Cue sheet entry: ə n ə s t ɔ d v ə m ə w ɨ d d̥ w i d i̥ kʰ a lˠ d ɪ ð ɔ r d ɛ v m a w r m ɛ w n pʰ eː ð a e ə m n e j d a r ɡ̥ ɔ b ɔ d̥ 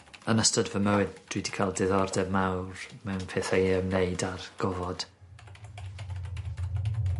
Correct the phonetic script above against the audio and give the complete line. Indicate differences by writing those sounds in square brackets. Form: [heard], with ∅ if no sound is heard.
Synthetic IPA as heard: ə n ə s t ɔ d v ə m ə w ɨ d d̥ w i d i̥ kʰ a lˠ d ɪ ð ɔ r d ɛ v m a w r m ɛ w n pʰ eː [θ] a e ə m n e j d a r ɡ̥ ɔ [v] ɔ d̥